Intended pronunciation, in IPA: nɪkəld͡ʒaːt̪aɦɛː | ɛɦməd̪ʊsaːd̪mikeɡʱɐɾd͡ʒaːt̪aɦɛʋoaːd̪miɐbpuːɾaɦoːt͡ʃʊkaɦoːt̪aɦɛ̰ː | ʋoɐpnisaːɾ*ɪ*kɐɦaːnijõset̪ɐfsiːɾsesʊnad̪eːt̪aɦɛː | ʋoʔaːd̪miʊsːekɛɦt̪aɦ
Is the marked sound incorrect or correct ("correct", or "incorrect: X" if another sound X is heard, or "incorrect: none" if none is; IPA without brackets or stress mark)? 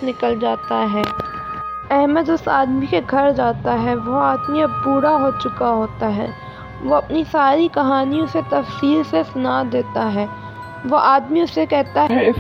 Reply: incorrect: i